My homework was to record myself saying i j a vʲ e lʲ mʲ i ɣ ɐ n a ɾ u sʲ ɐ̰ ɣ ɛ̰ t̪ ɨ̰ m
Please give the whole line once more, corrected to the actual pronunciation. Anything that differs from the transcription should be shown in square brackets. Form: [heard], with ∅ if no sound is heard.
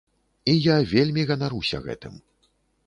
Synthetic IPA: i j a vʲ e lʲ mʲ i ɣ ɐ n a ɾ u sʲ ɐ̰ ɣ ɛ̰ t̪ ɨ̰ m